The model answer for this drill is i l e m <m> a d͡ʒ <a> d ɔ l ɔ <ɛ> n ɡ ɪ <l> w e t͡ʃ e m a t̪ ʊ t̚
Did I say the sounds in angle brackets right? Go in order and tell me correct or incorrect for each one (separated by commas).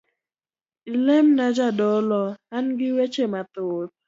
incorrect, correct, incorrect, incorrect